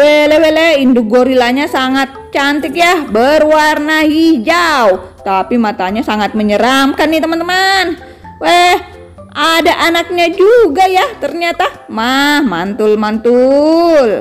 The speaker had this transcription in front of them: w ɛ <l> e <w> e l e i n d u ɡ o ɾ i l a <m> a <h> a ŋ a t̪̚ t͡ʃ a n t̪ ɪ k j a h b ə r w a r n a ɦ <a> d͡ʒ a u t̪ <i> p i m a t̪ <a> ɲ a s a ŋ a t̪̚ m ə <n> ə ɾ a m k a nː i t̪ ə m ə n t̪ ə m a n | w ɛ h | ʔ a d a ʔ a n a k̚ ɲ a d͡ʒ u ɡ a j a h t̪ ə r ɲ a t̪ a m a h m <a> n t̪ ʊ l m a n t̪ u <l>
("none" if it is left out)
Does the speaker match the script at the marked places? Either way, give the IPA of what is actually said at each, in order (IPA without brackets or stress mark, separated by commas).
l, w, ɲ, s, i, a, a, ɲ, a, l